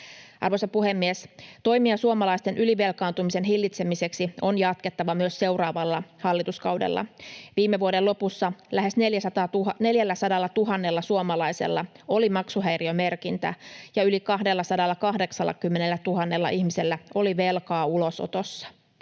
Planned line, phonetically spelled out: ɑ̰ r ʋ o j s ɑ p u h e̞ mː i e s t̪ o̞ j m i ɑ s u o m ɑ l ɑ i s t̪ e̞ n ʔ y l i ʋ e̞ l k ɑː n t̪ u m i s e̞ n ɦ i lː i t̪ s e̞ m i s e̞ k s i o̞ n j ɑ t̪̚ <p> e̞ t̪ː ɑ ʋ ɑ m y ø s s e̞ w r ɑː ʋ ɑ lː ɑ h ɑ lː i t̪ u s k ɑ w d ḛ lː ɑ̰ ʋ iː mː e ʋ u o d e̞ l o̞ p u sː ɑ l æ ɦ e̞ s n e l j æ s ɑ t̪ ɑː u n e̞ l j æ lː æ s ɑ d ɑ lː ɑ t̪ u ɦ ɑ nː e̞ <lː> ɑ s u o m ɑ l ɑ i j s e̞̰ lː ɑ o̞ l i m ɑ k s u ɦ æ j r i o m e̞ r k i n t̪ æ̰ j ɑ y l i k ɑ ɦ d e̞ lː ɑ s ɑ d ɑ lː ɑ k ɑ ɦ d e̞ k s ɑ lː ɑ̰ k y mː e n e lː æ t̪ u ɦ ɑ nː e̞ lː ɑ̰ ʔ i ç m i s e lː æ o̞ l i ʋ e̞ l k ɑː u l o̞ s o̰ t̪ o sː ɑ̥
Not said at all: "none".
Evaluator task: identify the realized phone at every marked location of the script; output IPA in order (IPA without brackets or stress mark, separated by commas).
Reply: k, lː